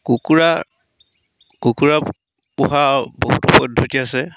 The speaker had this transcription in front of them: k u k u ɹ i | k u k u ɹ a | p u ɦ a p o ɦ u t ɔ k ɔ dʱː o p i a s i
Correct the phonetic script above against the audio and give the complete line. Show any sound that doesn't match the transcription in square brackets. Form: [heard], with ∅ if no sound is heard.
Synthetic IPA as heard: k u k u ɹ [a] | k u k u ɹ a | p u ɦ a [b] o ɦ u t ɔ [p] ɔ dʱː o [t] i a s [ɛ]